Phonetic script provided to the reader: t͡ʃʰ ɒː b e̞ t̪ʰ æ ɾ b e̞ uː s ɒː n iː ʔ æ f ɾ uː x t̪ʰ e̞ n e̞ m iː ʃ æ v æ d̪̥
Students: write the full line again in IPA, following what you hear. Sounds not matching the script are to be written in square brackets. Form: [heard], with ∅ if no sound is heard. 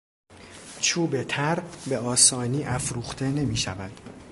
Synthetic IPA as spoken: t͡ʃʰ [uː] b e̞ t̪ʰ æ ɾ b e̞ [ɒː] s ɒː n iː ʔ æ f ɾ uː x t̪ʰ e̞ n e̞ m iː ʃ æ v æ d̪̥